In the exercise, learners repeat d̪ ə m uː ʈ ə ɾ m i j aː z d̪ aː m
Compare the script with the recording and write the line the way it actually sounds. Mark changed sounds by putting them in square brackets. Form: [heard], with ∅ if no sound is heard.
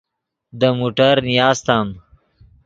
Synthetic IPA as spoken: d̪ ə m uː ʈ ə ɾ [n] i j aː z [t̪] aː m